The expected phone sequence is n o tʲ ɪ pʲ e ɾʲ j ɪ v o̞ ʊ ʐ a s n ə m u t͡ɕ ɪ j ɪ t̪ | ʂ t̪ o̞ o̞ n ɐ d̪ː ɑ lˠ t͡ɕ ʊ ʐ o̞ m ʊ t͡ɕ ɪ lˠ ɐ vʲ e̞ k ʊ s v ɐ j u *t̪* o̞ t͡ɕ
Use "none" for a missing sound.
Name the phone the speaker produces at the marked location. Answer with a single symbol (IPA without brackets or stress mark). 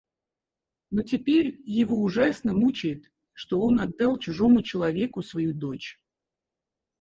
d̪